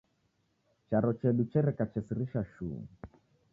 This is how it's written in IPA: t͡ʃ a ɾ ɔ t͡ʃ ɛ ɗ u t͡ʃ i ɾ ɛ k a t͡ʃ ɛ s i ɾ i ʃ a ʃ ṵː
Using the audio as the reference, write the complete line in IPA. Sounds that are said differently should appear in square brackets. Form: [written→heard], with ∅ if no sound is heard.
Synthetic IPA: t͡ʃ a ɾ ɔ t͡ʃ ɛ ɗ u t͡ʃ [i→ɛ] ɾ ɛ k a t͡ʃ ɛ s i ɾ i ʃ a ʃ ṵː